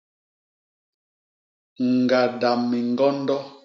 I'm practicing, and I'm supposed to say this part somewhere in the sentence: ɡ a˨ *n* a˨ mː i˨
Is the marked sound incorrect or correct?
incorrect: d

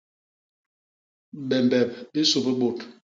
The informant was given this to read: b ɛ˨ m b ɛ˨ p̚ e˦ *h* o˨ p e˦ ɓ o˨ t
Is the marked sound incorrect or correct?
incorrect: s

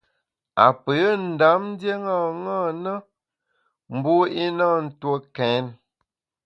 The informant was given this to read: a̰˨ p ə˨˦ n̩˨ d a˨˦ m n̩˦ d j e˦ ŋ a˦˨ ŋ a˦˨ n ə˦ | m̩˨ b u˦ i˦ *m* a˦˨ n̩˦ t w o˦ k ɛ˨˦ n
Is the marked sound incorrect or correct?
incorrect: n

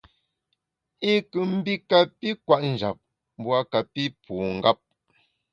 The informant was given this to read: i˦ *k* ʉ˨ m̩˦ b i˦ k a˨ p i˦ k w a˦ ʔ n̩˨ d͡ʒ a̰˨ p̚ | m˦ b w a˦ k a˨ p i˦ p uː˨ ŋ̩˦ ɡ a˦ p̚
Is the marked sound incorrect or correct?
correct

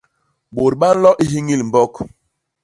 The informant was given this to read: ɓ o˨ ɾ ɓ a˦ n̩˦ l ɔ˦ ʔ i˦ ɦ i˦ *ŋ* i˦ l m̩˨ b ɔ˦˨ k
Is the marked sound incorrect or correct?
correct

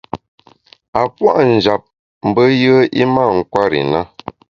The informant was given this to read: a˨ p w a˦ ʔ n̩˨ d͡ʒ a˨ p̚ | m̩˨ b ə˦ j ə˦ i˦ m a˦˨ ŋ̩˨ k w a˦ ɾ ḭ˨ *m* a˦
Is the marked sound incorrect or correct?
incorrect: n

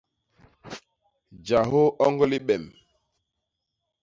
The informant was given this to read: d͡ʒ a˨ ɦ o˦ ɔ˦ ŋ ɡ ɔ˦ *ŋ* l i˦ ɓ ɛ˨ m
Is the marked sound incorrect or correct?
incorrect: none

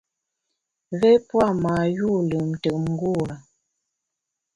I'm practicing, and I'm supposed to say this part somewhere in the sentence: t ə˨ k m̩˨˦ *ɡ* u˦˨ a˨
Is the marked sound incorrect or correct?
correct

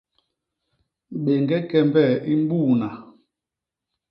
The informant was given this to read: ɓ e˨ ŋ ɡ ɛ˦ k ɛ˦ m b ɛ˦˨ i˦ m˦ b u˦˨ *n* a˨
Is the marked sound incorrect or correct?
correct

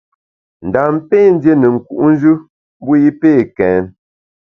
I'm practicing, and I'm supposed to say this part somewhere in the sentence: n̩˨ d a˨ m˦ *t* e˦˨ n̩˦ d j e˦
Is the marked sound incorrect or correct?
incorrect: p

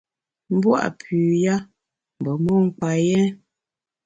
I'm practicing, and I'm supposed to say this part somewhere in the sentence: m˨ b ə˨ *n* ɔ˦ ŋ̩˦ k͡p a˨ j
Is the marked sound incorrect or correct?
incorrect: m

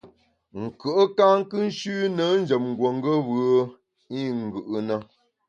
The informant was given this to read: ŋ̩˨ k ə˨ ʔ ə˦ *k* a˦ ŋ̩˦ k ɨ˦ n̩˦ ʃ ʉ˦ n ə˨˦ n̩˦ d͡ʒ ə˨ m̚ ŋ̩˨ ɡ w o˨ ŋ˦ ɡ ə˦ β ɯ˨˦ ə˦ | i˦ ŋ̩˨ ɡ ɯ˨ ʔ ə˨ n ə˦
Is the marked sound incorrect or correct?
correct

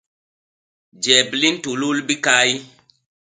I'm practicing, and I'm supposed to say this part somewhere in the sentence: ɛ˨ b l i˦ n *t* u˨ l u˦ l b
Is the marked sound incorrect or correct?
correct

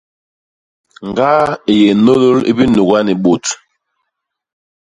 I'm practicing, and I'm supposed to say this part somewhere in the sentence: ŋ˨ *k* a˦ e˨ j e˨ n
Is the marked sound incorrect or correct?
incorrect: ɡ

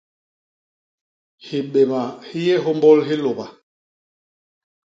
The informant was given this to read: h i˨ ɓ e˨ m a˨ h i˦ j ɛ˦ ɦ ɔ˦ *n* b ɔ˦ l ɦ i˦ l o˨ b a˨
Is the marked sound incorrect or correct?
incorrect: m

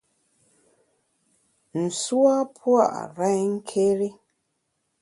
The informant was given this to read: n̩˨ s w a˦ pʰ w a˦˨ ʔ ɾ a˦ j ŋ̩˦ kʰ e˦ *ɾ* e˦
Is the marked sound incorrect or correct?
correct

